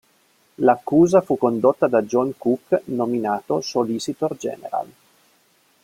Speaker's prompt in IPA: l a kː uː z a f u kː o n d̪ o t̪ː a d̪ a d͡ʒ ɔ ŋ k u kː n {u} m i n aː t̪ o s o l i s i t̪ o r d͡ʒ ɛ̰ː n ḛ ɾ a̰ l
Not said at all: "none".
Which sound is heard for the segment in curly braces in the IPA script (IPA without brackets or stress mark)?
o